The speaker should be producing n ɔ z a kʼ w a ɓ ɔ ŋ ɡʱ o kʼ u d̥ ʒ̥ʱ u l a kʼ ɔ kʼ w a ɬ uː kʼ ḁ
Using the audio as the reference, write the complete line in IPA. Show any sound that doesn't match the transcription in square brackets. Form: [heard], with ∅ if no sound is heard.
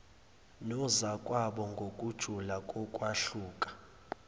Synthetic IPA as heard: n ɔ z a kʼ w a ɓ ɔ ŋ ɡʱ o kʼ u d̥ ʒ̥ʱ u l a kʼ ɔ kʼ w a ɬ uː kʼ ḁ